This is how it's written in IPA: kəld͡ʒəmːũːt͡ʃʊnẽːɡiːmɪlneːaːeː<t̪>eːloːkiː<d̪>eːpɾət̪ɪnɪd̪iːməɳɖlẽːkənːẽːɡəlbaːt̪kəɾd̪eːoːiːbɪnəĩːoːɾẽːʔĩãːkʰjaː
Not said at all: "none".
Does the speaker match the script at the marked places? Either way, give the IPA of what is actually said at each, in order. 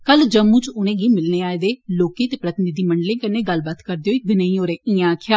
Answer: d̪, t̪

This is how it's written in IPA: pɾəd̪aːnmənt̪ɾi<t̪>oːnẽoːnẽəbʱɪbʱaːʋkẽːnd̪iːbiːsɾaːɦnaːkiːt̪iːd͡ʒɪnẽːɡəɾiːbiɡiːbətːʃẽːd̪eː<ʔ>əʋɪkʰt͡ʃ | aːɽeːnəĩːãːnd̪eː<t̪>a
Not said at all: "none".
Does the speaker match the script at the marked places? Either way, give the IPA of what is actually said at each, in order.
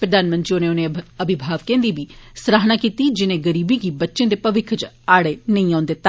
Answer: none, p, t̪

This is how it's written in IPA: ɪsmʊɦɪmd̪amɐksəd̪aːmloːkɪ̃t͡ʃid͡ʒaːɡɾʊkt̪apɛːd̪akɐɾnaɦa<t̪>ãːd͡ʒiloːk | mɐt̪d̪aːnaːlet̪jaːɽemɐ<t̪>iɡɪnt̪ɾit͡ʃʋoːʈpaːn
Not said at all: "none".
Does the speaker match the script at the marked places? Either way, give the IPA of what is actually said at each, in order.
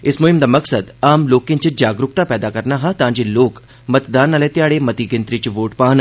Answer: t̪, t̪

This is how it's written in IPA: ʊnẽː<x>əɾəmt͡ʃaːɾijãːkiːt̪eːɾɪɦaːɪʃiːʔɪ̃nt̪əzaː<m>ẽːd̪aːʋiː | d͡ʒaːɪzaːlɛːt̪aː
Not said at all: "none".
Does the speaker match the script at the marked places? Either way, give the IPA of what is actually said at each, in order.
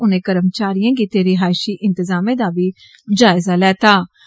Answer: k, m

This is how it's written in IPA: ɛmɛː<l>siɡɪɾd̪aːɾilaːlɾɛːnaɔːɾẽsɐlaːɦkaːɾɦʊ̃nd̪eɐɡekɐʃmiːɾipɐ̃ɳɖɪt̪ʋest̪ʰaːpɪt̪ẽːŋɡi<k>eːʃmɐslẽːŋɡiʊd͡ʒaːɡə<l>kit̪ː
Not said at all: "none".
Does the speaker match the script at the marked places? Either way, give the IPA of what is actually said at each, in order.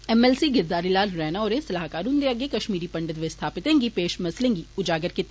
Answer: l, p, ɾ

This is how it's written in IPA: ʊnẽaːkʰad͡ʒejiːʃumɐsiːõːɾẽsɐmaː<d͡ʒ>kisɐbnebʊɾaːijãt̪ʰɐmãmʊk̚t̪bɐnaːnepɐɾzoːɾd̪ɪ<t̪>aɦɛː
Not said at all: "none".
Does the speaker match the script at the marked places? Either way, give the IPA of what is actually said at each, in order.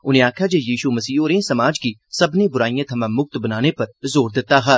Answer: d͡ʒ, t̪

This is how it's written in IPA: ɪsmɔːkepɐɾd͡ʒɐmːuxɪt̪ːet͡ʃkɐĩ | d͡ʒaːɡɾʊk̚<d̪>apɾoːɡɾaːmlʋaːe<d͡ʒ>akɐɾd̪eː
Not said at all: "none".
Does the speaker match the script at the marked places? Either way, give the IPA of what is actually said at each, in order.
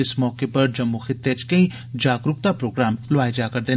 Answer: t̪, d͡ʒ

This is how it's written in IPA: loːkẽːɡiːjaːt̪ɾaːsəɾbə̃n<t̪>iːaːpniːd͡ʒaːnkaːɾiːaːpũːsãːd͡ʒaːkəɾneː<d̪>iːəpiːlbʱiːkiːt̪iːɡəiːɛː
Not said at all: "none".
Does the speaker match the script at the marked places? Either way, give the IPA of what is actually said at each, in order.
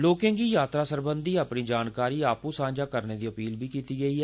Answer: d̪, d̪

